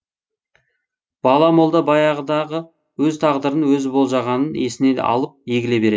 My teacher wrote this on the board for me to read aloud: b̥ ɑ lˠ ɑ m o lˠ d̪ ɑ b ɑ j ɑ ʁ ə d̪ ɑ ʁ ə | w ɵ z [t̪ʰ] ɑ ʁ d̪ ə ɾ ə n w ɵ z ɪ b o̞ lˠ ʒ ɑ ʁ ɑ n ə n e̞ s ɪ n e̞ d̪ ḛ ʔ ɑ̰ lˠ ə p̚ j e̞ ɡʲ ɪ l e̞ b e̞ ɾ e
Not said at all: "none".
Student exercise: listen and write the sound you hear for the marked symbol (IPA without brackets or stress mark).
t̪ʰ